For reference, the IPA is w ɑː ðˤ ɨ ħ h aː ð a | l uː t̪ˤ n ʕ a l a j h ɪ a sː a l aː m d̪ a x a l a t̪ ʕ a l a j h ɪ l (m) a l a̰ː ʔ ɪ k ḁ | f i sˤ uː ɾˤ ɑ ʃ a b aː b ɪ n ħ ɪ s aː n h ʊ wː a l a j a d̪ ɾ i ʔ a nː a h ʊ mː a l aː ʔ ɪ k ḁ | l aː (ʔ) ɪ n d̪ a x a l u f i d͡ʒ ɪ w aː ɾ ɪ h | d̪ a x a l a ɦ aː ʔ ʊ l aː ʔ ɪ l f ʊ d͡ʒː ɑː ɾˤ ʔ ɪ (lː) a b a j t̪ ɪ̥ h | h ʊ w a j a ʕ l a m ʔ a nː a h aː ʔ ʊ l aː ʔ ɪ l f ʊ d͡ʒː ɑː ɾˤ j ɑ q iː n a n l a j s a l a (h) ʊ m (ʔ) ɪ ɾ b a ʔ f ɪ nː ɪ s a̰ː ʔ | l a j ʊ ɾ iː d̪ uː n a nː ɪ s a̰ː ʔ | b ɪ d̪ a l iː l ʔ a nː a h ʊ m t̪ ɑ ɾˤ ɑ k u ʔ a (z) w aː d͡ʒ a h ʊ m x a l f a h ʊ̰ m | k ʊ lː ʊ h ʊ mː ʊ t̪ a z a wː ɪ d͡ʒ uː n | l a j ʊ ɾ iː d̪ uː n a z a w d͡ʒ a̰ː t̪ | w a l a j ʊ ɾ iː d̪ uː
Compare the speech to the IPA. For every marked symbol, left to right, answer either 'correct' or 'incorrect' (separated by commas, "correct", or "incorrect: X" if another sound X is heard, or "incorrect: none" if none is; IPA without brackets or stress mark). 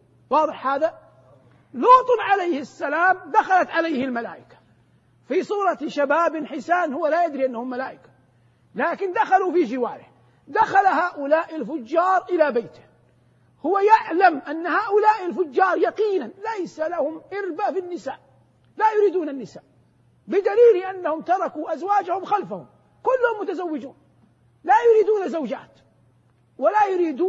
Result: correct, incorrect: k, incorrect: l, correct, correct, correct